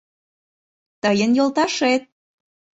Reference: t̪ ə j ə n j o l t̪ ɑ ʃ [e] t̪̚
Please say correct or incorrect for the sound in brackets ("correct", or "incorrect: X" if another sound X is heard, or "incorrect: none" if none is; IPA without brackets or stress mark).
correct